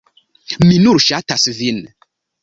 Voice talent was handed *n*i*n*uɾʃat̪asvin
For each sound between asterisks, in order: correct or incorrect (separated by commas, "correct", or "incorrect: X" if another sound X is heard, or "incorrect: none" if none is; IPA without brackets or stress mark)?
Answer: incorrect: m, correct